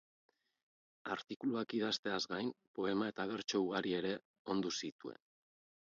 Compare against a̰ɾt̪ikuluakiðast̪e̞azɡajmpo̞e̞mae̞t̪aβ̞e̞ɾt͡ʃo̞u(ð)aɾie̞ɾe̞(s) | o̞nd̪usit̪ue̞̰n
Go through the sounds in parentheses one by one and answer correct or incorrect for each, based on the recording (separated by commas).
incorrect, incorrect